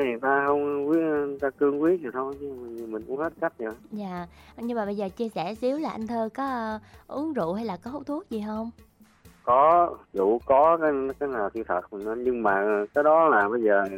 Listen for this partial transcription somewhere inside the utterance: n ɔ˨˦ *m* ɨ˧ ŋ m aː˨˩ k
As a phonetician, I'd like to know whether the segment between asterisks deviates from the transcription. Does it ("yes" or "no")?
yes